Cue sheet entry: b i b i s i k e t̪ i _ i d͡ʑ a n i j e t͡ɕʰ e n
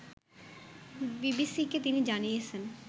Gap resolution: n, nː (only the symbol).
n